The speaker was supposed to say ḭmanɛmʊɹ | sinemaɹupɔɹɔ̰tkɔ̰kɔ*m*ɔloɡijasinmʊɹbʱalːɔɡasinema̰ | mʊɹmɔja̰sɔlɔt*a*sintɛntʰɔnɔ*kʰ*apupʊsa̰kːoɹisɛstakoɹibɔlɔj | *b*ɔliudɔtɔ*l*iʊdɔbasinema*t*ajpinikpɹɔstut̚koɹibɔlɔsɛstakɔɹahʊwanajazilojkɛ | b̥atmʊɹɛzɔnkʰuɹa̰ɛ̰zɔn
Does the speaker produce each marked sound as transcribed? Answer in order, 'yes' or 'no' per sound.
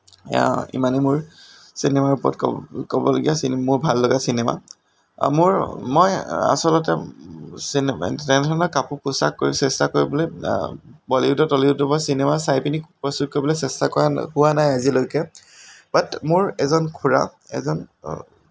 no, no, no, yes, yes, no

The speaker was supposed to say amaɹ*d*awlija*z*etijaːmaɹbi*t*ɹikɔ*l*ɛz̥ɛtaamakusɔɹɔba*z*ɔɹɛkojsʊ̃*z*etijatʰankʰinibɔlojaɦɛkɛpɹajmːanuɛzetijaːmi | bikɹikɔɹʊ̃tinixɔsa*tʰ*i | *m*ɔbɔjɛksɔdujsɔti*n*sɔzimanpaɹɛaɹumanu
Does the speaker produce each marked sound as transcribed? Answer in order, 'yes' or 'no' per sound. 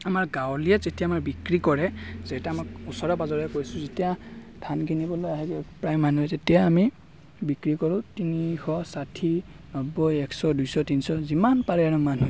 no, yes, no, no, yes, yes, yes, no, yes

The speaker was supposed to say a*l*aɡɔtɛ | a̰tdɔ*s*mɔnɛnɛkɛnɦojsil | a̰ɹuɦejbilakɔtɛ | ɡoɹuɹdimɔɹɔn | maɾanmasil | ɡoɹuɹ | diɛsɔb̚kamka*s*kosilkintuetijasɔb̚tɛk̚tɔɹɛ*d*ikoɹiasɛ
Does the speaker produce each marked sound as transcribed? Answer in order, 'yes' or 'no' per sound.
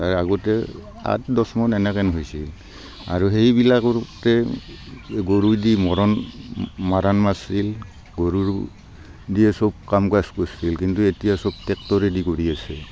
no, yes, yes, yes

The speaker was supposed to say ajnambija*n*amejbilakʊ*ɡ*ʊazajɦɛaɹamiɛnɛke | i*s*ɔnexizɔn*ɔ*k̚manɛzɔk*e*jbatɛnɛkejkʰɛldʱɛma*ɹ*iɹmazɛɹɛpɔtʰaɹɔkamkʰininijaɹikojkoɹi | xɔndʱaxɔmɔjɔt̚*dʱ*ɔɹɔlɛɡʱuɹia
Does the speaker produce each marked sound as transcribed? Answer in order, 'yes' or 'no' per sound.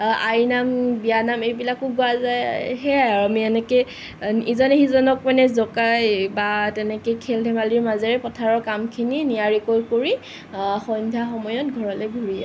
yes, yes, no, yes, no, no, no

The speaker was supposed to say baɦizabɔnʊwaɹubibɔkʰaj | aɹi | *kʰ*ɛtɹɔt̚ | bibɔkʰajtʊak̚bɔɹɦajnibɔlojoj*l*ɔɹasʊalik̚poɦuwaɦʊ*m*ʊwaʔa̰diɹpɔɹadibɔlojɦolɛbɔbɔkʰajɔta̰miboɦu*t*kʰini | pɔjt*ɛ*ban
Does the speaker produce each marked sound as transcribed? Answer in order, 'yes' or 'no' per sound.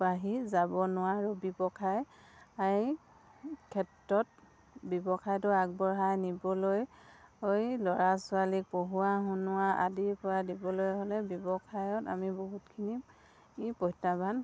yes, yes, no, yes, no

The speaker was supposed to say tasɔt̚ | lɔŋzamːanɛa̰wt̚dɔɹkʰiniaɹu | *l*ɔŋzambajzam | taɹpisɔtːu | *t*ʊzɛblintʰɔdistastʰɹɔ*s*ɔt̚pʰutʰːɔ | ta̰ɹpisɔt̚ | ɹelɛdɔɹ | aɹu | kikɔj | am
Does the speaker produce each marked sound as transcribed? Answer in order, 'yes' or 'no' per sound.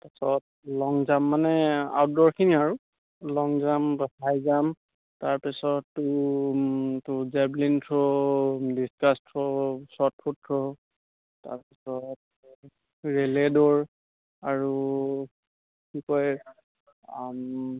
yes, yes, yes

